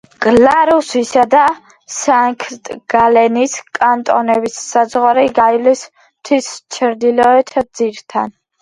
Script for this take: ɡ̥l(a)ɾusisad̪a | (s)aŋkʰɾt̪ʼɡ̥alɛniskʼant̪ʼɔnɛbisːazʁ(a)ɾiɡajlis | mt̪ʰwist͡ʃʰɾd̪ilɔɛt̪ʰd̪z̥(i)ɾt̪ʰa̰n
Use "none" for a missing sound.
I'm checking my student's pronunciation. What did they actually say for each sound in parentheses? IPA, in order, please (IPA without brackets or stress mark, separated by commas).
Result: a, s, a, i